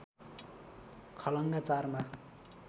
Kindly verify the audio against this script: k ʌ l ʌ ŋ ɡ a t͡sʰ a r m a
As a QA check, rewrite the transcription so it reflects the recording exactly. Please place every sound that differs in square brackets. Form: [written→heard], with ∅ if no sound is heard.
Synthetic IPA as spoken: [k→kʰ] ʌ l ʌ ŋ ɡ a [t͡sʰ→t͡s] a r m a